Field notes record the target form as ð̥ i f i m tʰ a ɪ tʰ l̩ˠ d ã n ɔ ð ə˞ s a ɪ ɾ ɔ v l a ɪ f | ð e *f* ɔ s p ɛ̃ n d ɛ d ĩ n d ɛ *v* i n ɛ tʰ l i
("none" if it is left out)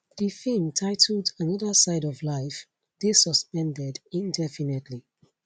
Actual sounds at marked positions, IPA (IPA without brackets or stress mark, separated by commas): s, f